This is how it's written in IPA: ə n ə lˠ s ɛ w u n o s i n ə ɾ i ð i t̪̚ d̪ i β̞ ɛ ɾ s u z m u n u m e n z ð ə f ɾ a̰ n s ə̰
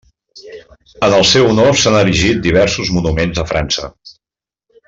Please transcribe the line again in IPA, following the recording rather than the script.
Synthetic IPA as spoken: ə n ə lˠ s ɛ w u n o s a n ə ɾ i ʒ i t̪̚ d̪ i β̞ ɛ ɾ s u z m u n u m e n z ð ə f ɾ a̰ n s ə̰